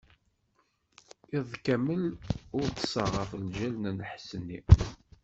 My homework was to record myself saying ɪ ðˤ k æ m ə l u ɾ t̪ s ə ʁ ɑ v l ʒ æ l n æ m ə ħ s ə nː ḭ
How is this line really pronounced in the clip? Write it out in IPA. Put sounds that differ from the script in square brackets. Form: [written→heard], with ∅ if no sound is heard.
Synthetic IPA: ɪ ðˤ k æ m ə l [u→ʊ] ɾ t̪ s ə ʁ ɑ [v→f] l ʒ æ l n æ [m→n] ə ħ s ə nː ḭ